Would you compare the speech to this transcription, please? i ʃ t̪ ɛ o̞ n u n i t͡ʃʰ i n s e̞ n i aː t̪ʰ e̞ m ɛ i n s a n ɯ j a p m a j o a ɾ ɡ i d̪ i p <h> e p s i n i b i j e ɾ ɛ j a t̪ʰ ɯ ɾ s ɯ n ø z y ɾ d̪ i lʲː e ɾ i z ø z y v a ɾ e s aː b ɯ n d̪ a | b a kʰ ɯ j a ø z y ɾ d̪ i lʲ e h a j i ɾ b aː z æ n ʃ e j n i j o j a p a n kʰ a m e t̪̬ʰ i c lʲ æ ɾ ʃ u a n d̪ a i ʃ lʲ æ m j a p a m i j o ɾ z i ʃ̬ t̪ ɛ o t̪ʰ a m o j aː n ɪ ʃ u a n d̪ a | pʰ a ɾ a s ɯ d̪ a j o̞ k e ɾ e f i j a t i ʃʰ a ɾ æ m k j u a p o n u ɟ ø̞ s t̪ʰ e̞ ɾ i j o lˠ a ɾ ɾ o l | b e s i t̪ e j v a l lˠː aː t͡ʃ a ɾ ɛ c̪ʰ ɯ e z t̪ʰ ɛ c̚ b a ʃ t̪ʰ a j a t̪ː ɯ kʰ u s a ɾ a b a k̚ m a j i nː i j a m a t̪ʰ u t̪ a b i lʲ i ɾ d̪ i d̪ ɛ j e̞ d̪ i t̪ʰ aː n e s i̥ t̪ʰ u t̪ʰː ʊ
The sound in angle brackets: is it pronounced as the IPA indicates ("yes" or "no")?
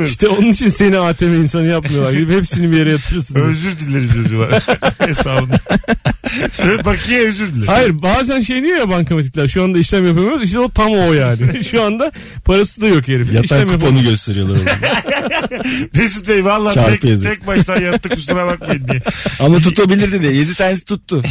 yes